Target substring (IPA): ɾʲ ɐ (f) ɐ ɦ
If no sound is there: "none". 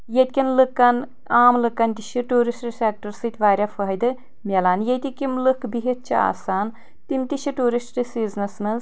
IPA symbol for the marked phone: f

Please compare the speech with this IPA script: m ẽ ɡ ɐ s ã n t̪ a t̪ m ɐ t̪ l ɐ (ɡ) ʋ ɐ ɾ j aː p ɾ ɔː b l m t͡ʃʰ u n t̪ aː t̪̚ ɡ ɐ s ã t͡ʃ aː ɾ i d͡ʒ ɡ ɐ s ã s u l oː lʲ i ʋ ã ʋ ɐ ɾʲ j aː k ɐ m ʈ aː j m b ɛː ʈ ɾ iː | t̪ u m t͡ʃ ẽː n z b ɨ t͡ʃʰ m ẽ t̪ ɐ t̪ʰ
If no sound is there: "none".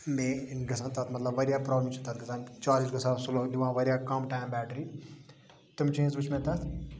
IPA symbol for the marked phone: b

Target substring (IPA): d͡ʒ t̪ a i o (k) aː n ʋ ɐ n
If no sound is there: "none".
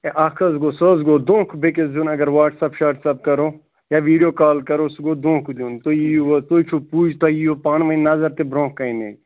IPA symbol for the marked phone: p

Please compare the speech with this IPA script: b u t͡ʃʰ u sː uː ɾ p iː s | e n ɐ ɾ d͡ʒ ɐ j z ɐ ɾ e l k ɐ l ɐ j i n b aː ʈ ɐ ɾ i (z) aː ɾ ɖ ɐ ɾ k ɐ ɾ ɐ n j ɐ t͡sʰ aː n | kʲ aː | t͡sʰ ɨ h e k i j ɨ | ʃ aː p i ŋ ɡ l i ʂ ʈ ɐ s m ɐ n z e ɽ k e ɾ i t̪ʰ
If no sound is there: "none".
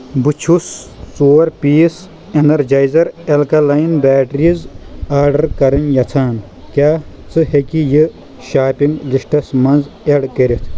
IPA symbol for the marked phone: z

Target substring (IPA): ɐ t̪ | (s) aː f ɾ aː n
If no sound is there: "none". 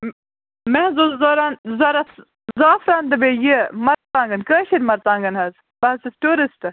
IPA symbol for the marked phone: z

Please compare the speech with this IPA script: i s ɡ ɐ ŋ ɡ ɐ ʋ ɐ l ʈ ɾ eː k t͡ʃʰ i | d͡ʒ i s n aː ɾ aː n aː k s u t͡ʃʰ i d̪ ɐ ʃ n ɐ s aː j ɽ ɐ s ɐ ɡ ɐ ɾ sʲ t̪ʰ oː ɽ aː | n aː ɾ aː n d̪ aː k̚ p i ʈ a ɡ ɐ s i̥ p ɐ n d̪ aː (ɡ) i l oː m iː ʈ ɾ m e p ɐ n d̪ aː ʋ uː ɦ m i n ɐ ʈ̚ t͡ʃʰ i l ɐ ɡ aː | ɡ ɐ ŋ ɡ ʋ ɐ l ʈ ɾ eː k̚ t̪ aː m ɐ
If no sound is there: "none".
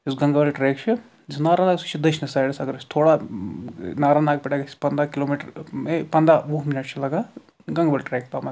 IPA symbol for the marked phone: k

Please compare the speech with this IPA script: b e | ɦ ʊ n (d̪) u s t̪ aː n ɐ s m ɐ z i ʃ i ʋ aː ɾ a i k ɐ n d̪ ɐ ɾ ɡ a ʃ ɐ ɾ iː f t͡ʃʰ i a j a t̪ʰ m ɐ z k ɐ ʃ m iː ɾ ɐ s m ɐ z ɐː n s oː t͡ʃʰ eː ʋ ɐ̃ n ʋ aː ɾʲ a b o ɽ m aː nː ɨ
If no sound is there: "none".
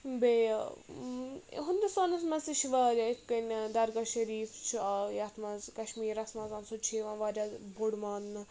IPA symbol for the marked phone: d̪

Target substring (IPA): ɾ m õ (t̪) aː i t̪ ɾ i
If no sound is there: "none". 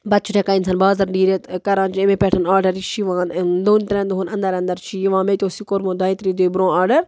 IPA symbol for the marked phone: d̪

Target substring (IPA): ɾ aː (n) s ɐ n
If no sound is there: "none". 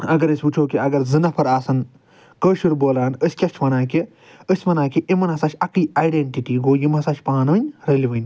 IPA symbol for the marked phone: none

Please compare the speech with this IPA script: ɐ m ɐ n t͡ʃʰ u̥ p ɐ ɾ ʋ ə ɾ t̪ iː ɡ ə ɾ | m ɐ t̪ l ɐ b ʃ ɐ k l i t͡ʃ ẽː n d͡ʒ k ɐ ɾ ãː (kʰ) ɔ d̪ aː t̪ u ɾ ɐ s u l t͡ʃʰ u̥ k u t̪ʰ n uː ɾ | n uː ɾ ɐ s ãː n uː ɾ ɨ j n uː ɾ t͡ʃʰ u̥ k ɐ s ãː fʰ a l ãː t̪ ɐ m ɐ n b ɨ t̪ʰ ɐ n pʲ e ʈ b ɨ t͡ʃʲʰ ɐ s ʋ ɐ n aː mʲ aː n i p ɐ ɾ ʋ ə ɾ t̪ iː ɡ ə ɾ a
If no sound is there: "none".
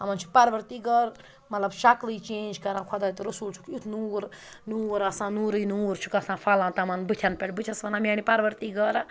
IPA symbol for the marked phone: kʰ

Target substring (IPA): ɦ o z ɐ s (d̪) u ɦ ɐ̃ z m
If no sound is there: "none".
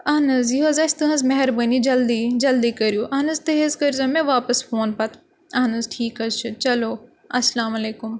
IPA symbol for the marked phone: t̪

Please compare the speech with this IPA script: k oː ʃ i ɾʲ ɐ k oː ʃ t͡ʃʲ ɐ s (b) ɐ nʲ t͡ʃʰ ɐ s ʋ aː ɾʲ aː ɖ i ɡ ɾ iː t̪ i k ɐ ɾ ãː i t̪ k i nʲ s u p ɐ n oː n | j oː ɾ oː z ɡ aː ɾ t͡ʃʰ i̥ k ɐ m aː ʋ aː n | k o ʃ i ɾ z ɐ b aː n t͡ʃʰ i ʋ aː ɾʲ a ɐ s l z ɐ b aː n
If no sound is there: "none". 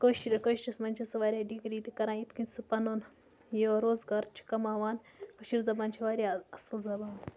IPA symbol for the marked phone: m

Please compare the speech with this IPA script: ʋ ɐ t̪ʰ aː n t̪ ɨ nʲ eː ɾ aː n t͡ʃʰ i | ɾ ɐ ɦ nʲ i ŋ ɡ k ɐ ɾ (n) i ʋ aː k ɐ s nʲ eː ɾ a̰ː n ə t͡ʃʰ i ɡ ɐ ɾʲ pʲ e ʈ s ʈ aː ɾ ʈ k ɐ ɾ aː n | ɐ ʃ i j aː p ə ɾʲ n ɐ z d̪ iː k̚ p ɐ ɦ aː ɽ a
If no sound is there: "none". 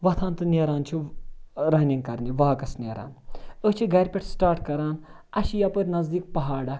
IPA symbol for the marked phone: n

